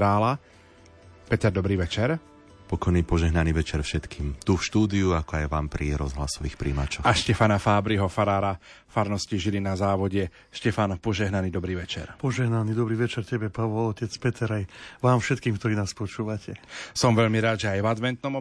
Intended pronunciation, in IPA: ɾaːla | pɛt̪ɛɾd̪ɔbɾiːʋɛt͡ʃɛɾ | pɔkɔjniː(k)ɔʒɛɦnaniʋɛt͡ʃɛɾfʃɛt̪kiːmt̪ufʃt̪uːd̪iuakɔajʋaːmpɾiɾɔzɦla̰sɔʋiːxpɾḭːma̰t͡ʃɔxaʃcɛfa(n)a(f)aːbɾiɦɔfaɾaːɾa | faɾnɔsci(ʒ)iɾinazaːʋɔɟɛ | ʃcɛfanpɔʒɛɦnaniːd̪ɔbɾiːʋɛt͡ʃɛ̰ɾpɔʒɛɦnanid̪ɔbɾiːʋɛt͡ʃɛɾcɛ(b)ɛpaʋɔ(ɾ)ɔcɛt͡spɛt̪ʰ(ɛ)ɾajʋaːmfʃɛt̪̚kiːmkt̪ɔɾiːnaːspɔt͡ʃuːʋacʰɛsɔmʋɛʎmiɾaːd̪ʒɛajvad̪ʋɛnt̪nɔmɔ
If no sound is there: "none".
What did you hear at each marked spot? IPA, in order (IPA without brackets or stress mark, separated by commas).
p, n, f, ʒ, b, l, ɛ